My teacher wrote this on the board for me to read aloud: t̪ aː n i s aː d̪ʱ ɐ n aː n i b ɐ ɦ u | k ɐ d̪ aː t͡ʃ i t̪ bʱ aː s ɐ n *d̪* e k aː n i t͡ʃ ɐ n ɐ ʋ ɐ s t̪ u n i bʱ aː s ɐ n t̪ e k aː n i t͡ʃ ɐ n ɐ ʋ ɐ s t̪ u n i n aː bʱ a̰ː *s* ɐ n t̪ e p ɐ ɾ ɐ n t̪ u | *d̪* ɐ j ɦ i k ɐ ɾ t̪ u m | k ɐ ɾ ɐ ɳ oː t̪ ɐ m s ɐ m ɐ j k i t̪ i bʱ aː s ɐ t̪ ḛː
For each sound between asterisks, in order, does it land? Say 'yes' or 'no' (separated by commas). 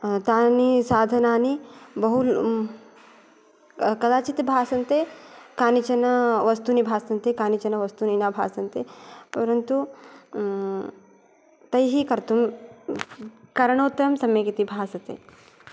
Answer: no, yes, no